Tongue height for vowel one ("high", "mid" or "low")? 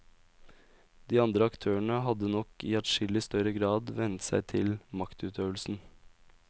high